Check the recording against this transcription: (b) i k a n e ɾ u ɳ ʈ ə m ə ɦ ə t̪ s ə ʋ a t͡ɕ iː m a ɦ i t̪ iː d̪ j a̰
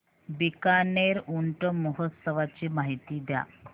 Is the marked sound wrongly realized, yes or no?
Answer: no